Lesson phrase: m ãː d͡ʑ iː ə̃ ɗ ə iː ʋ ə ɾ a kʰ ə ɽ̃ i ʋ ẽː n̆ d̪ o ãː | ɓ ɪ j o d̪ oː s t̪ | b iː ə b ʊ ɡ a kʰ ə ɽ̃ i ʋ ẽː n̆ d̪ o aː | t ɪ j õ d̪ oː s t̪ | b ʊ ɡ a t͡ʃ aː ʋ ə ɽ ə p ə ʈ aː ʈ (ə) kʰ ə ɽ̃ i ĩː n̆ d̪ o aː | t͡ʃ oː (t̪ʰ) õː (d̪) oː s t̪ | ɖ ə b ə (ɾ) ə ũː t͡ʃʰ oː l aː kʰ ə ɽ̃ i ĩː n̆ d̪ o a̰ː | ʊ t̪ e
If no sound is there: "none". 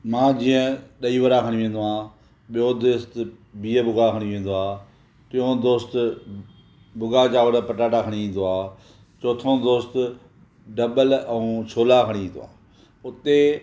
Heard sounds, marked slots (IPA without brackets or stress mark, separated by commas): a, t̪ʰ, d̪, l